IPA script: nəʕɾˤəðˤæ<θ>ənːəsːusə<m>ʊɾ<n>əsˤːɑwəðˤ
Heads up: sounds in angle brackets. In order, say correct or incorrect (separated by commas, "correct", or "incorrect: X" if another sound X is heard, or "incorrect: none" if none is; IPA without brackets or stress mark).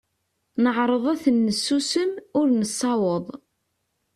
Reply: correct, correct, correct